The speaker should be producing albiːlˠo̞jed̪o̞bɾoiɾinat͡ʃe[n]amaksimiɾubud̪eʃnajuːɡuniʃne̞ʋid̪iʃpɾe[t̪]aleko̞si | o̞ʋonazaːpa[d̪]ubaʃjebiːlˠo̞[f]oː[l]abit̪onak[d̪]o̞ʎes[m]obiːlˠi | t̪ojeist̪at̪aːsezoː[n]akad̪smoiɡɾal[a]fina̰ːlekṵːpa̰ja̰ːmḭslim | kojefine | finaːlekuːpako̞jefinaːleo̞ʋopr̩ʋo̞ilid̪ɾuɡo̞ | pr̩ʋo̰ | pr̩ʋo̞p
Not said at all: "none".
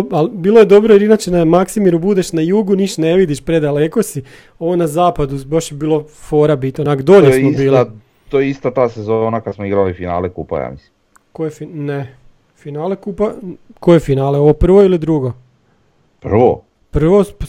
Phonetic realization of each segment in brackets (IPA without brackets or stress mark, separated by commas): n, d̪, d̪, f, ɾ, d̪, m, n, i